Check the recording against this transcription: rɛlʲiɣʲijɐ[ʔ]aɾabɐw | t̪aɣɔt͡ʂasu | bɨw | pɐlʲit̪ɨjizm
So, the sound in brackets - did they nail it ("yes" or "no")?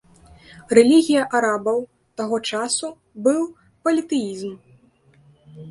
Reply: yes